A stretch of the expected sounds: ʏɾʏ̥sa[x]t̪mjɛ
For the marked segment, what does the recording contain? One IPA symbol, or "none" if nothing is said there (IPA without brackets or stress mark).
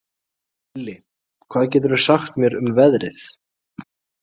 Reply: x